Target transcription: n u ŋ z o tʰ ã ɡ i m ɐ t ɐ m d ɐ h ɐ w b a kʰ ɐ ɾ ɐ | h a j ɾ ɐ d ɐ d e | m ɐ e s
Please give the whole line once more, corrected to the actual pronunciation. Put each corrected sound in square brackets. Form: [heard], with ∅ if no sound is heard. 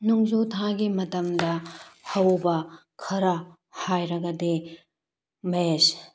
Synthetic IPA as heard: n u ŋ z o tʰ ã ɡ i m ɐ t ɐ m d ɐ h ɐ w b [ɐ] kʰ ɐ ɾ ɐ | h a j ɾ ɐ [ɡ] ɐ d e | m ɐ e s